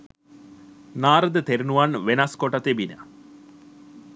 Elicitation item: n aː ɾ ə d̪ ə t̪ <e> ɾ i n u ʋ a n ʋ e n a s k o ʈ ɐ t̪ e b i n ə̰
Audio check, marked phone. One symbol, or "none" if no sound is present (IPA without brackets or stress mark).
e